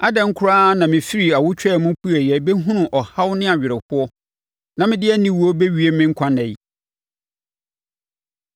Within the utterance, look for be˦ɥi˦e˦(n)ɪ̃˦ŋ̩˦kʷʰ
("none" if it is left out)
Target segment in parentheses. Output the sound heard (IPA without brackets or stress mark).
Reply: m